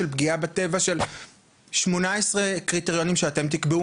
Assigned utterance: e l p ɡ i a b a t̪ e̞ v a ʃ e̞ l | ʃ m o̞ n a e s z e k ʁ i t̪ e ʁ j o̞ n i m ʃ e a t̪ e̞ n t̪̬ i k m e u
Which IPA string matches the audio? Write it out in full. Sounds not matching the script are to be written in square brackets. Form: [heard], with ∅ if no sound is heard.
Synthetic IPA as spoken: e l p ɡ i a b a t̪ e̞ v a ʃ e̞ l | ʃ m o̞ n a e s [ʁ] e k ʁ i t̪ e ʁ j o̞ n i m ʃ e a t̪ e̞ [m] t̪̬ i k [b] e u